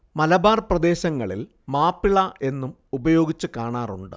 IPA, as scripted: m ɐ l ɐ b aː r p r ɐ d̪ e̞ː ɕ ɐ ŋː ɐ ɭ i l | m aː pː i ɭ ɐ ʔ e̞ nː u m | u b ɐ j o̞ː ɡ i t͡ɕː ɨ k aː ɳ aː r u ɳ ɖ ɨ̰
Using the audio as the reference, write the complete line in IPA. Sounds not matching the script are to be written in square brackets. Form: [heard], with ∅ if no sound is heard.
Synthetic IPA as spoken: m ɐ l ɐ b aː r p r ɐ d̪ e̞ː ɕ ɐ ŋː ɐ ɭ i l | m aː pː i ɭ ɐ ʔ e̞ nː u m | u b ɐ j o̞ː ɡ i t͡ɕː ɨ k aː ɳ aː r u ɳ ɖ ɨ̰

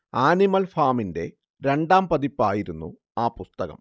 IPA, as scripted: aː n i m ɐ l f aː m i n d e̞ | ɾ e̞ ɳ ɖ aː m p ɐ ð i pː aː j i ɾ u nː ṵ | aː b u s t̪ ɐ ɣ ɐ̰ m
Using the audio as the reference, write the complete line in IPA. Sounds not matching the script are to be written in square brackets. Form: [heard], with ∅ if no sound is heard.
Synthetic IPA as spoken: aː n i m ɐ l f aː m i n d e̞ | ɾ e̞ ɳ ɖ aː m p ɐ ð i pː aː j i ɾ u nː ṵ | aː [p] u s t̪ ɐ ɣ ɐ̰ m

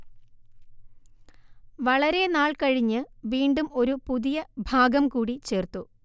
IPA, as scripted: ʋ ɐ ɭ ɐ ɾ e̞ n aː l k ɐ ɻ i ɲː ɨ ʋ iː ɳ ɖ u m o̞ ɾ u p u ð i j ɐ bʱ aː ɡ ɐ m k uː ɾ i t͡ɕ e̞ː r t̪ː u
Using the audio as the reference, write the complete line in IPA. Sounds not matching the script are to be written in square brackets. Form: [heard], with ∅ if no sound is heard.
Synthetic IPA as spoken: ʋ ɐ ɭ ɐ ɾ e̞ n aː [ɭ] k ɐ ɻ i ɲː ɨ ʋ iː ɳ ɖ u m o̞ ɾ u p u ð i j ɐ bʱ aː ɡ ɐ m k uː [ɽ] i t͡ɕ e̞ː r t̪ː u

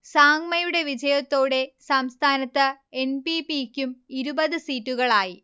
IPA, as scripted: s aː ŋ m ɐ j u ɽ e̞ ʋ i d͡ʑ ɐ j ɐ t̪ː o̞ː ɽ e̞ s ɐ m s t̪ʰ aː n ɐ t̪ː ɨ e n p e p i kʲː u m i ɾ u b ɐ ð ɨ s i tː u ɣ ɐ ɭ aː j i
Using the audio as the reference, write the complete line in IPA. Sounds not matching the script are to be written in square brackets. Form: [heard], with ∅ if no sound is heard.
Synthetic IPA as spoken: s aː ŋ m ɐ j u ɽ e̞ ʋ i d͡ʑ ɐ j ɐ t̪ː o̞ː ɽ e̞ s ɐ m s t̪ʰ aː n ɐ t̪ː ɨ e n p [i] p i kʲː u m i ɾ u b ɐ ð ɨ s [iː] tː u ɣ ɐ ɭ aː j i

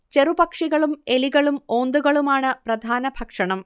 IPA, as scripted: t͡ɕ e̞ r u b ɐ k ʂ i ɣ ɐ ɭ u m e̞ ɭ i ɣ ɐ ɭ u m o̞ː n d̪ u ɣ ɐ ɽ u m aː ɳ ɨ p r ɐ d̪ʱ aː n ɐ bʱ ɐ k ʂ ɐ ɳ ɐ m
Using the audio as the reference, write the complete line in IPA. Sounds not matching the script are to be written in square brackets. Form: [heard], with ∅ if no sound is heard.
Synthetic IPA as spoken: t͡ɕ e̞ r u b ɐ k ʂ i ɣ ɐ ɭ u m e̞ [l] i ɣ ɐ ɭ u m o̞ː n d̪ u ɣ ɐ [ɭ] u m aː ɳ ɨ p r ɐ d̪ʱ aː n ɐ bʱ ɐ k ʂ ɐ ɳ ɐ m

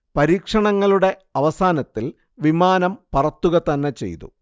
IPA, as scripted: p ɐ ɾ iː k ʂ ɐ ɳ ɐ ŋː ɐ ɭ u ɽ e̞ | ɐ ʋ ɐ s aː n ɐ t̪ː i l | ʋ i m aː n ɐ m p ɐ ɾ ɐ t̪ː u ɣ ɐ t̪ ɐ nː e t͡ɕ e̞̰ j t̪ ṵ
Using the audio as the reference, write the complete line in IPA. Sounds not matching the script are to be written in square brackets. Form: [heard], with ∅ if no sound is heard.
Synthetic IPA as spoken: p ɐ ɾ iː k ʂ ɐ ɳ ɐ ŋː ɐ ɭ u ɽ e̞ | ɐ ʋ ɐ s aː n ɐ t̪ː i l | ʋ i m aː n ɐ m p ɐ [r] ɐ t̪ː u ɣ ɐ t̪ ɐ nː e t͡ɕ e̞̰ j t̪ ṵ

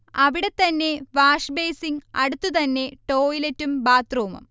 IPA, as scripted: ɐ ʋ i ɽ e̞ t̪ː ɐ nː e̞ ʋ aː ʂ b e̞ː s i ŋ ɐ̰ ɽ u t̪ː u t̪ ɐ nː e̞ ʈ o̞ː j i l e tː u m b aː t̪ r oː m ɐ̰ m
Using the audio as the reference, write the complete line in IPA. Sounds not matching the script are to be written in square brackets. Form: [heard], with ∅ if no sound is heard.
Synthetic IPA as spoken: ɐ ʋ i ɽ e̞ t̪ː ɐ nː e̞ ʋ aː ʂ b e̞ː s i ŋ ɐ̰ ɽ u t̪ː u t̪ ɐ nː e̞ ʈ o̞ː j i l e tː u m b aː t̪ r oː m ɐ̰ m

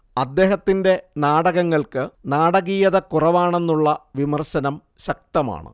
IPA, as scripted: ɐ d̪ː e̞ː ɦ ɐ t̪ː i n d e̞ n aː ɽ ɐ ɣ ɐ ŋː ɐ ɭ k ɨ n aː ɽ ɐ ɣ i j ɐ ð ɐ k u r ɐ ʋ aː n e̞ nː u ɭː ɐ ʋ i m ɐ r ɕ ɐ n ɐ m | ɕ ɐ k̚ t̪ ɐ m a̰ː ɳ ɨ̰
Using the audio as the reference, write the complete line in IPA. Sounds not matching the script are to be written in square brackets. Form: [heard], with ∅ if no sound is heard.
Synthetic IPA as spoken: ɐ d̪ː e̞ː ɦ ɐ t̪ː i n d e̞ n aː ɽ ɐ ɣ ɐ ŋː ɐ ɭ k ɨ n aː ɽ ɐ ɣ i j ɐ ð ɐ k u r ɐ ʋ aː [ɳ] e̞ nː u ɭː ɐ ʋ i m ɐ r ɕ ɐ n ɐ m | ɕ ɐ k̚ t̪ ɐ m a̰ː ɳ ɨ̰

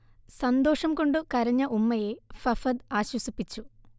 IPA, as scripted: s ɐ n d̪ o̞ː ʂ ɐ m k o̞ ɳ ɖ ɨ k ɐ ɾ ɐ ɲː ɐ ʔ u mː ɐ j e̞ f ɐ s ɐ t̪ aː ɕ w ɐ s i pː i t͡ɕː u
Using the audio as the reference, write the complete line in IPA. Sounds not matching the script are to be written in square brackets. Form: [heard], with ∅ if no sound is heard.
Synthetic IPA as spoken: s ɐ n d̪ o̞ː ʂ ɐ m k o̞ ɳ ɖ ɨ k ɐ ɾ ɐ ɲː ɐ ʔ u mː ɐ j e̞ f ɐ [f] ɐ [d̪] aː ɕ w ɐ s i pː i t͡ɕː u

